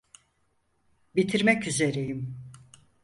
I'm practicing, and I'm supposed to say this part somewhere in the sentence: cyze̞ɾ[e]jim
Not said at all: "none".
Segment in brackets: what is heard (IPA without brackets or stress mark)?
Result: e